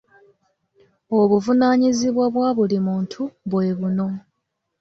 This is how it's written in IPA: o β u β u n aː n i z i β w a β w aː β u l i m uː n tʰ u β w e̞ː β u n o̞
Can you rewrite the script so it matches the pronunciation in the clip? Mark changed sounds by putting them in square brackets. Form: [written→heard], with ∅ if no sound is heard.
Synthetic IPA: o β u [β→v] u n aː [n→ɲ] i z i β w a β w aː β u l i m uː n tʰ u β w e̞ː β u n o̞

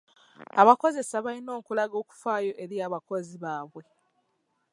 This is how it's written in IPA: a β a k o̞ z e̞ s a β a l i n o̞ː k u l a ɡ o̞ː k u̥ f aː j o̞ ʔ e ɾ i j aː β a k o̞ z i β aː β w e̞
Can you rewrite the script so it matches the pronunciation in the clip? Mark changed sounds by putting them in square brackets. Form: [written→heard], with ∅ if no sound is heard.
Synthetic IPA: a β a k o̞ z e̞ s a β a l i n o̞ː k u l a ɡ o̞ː k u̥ f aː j o̞ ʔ e ɾ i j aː β a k o̞ z i β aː β w e̞

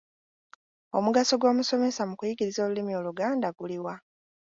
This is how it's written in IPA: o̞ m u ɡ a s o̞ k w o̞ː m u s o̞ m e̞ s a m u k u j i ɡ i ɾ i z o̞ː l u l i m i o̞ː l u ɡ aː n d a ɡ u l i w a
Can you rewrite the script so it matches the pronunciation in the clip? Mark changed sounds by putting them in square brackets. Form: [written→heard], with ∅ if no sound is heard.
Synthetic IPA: o̞ m u ɡ a s o̞ [k→ɡ] w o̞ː m u s o̞ m e̞ s a m u k u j i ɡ i ɾ i z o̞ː l u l i m i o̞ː l u ɡ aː n d a ɡ u l i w a

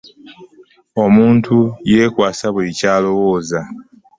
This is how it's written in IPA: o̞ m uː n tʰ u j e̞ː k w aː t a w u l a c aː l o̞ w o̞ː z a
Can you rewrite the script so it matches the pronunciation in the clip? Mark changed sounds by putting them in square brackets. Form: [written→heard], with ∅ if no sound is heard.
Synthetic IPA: o̞ m uː n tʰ u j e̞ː k w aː [t→s] a [w→β] u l [a→i] c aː l o̞ w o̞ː z a

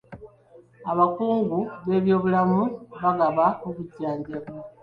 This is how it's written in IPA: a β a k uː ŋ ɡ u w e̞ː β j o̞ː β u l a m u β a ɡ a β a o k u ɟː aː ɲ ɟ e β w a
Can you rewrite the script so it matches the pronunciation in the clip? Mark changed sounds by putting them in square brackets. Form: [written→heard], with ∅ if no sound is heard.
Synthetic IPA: a β a k uː ŋ ɡ u [w→β] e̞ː β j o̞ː β u l a m u β a ɡ a β a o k u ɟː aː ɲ ɟ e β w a

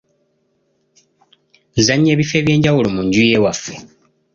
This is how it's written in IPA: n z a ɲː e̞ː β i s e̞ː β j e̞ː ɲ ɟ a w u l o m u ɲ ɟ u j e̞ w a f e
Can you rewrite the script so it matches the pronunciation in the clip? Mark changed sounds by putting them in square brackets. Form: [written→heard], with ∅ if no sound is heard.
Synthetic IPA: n z a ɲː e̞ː β i [s→f] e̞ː β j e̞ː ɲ ɟ a w u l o m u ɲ ɟ u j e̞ w a f e

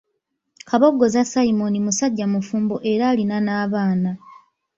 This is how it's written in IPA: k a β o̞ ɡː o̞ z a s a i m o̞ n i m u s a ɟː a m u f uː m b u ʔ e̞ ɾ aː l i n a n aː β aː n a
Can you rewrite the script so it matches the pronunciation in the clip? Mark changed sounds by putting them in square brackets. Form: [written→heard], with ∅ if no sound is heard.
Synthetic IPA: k a β o̞ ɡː o̞ z a s a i m o̞ n i m u s a ɟː a m u f uː m b [u→o] ʔ e̞ ɾ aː l i n a n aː β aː n a

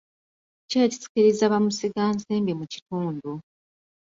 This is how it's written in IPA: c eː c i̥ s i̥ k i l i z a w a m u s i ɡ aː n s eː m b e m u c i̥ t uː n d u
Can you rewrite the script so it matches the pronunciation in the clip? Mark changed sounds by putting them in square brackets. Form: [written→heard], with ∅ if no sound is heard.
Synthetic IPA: c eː c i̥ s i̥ k i [l→ɾ] i z a [w→β] a m u s i ɡ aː n s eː m b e m u c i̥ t uː n d u

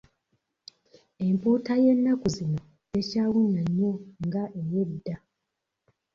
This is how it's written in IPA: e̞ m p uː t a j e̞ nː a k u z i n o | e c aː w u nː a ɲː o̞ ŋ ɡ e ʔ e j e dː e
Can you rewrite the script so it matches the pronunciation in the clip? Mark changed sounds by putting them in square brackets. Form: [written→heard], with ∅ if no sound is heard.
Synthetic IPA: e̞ m p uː t a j e̞ nː a k u z i n o | e c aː w u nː a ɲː o̞ ŋ ɡ [e→a] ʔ e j e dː [e→a]

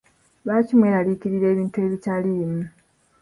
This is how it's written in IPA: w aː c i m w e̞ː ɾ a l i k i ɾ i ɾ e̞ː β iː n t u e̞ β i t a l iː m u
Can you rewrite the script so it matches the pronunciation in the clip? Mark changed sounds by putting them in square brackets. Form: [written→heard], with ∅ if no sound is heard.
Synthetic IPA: [w→β] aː c i m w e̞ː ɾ a l i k i ɾ i ɾ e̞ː β iː n t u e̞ β i t a l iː m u

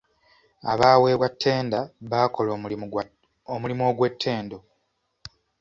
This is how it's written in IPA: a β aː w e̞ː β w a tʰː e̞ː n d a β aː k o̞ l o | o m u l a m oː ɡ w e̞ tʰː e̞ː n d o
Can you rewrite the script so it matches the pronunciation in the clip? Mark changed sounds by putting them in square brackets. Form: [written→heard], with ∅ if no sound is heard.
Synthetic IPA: a β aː w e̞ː β w a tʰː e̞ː n d a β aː k o̞ l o | o m u l [a→i] m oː ɡ w e̞ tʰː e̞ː n d o

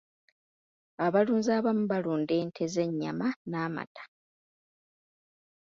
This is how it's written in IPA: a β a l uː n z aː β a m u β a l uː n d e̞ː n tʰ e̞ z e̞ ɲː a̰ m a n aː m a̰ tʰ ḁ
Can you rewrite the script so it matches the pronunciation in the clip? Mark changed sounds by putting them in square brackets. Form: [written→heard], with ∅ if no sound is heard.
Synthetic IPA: a β a l uː n z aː β a m u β a l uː n d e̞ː n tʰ e̞ z e̞ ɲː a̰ m a n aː m a̰ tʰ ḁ

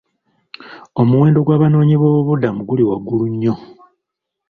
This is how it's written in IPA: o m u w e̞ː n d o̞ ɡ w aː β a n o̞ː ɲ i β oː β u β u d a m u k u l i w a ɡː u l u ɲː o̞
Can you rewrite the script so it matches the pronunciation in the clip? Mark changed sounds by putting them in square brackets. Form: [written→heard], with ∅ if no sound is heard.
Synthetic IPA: o m u w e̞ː n d o̞ ɡ w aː β a n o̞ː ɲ i β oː β u β u d a m u [k→ɡ] u l i w a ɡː u l u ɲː o̞

